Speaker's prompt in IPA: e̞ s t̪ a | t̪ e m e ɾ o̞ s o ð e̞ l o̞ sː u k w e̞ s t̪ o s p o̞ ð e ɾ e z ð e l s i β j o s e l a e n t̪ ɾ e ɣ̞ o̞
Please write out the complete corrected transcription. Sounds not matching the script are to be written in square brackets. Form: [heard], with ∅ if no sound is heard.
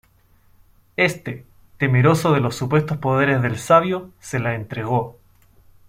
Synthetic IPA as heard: e̞ s t̪ [e] | t̪ e m e ɾ o̞ s o ð e̞ l o̞ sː u [p] w e̞ s t̪ o s p o̞ ð e ɾ e z ð e l s [a] β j o s e l a e n t̪ ɾ e ɣ̞ o̞